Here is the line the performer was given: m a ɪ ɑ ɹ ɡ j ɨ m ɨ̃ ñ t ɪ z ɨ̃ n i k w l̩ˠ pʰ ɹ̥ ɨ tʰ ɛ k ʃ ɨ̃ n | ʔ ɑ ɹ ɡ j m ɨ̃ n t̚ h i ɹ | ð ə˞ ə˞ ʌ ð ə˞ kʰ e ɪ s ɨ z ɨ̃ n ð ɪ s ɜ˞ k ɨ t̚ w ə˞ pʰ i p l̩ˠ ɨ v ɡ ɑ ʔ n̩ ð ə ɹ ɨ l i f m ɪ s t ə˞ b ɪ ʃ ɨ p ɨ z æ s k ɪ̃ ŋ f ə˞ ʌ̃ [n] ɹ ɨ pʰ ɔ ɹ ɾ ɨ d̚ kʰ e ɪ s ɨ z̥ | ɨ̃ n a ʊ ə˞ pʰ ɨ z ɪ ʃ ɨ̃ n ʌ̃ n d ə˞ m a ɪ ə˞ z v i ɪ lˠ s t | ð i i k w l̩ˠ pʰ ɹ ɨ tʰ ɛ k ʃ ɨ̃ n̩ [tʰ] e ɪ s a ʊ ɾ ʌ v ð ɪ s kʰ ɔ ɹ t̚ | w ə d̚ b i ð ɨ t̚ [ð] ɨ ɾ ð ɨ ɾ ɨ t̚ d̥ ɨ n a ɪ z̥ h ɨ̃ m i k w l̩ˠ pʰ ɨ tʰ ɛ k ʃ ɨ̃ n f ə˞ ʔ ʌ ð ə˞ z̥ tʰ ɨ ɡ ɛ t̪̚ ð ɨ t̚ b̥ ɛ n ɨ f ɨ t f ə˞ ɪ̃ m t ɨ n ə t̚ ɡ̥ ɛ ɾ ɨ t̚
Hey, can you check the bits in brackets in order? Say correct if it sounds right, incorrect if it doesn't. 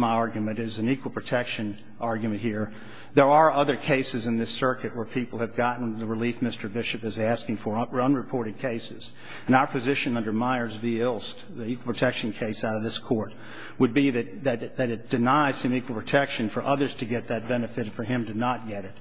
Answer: correct, incorrect: kʰ, correct

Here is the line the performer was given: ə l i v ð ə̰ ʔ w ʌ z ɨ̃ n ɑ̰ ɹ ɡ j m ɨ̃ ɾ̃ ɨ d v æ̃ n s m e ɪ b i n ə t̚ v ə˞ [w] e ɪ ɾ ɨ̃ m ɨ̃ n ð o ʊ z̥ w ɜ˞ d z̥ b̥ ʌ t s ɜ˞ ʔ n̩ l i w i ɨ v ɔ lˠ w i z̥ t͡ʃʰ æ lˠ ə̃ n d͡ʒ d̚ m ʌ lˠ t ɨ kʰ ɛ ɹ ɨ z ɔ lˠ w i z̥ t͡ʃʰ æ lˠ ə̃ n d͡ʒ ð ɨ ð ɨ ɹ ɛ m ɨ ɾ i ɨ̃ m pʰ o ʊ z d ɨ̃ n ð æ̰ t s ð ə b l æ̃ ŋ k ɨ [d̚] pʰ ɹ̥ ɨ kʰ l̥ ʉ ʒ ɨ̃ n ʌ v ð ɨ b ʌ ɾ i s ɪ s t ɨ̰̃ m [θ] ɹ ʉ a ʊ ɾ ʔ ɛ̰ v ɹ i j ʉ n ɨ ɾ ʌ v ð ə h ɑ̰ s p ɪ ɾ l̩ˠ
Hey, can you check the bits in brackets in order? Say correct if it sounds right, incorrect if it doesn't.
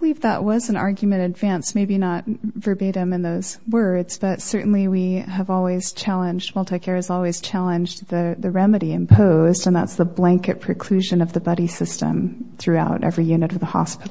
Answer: incorrect: b, incorrect: t̚, correct

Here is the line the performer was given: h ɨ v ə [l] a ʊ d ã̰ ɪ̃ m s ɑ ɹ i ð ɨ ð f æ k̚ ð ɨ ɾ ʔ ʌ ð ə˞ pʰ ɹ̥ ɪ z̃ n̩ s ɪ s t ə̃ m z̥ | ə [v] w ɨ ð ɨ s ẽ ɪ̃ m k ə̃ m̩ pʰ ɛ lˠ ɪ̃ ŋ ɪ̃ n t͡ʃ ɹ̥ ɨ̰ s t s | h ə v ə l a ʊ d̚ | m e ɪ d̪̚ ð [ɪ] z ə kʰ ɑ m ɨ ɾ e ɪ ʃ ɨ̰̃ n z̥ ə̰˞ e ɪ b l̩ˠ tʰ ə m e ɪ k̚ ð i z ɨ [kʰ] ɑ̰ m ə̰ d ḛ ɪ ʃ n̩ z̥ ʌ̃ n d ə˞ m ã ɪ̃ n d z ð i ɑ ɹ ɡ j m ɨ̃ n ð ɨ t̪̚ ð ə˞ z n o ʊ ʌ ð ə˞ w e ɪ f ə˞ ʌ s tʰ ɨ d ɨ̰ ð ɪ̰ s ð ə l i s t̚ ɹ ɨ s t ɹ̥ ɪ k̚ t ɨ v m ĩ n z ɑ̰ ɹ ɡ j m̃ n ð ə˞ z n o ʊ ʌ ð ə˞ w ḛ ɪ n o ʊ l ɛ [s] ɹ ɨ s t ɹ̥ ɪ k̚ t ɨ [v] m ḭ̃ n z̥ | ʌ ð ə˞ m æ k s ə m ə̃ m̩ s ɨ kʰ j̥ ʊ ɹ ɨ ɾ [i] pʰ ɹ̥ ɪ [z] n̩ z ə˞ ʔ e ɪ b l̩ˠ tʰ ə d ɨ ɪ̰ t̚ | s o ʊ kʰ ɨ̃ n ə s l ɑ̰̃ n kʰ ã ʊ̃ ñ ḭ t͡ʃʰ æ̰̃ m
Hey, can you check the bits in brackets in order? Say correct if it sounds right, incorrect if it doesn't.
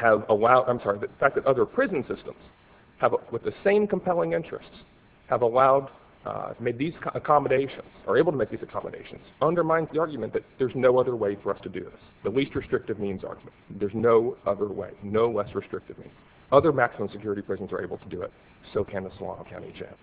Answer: correct, correct, incorrect: i, correct, correct, correct, correct, correct

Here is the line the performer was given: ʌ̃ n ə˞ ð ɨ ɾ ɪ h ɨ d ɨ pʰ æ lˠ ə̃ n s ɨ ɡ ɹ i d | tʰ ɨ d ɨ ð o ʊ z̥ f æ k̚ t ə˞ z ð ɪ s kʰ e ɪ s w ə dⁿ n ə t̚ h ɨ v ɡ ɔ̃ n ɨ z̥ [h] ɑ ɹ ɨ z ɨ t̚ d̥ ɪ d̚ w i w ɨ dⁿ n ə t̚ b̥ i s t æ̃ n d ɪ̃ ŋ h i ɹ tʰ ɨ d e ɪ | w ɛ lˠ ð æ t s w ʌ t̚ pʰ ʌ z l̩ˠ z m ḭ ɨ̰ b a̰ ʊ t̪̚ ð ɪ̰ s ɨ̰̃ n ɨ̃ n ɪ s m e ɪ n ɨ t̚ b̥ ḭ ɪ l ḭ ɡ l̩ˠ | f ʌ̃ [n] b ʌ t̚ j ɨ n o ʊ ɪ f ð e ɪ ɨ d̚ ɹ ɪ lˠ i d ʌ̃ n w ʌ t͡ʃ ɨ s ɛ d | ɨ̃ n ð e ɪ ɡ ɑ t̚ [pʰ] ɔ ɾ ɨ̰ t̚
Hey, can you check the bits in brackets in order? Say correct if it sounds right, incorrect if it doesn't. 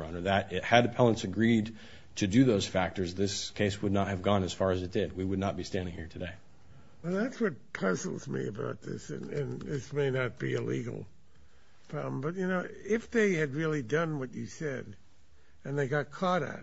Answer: incorrect: f, incorrect: m, incorrect: kʰ

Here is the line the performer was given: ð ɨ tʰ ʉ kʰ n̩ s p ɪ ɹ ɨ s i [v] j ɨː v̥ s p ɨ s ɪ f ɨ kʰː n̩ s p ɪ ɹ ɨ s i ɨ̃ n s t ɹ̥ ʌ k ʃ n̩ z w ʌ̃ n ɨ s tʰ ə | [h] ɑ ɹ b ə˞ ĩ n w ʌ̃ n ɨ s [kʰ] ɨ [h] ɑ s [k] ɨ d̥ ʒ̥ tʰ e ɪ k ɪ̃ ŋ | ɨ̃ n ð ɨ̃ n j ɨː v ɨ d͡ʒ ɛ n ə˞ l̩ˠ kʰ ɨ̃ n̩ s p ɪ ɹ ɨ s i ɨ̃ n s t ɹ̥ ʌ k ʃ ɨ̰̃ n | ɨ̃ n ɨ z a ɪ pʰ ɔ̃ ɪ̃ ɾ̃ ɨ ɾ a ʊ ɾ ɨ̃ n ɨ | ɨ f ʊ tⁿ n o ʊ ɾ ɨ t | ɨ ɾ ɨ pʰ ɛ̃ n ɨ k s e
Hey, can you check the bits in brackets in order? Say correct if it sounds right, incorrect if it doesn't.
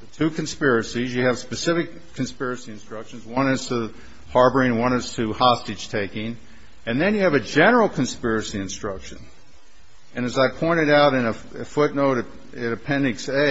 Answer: incorrect: z, correct, incorrect: tʰ, correct, incorrect: t

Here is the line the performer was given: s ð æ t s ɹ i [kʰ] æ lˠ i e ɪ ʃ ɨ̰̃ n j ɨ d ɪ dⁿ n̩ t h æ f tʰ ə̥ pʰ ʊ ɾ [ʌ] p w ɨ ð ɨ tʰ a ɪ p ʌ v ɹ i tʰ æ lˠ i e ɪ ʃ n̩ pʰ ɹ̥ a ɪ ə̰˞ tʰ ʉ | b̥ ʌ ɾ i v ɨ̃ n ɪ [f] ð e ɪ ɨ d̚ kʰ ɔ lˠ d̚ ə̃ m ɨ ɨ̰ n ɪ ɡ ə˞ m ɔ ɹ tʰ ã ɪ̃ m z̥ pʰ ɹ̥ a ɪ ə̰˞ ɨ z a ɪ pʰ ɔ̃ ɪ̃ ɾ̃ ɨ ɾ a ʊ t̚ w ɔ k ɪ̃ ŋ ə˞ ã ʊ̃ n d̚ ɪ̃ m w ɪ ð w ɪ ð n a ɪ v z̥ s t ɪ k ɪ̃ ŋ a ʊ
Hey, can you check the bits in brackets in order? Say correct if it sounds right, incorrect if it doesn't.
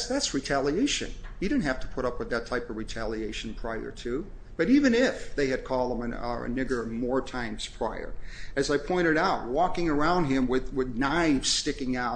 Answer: incorrect: tʰ, correct, correct

